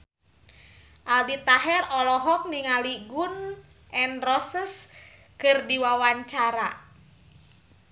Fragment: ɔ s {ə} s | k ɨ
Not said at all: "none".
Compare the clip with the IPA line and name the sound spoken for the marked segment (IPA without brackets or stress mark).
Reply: ə